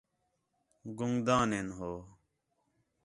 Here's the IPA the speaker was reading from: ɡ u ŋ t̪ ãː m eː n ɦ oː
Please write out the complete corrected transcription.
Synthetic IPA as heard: ɡ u ŋ d̪ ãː n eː n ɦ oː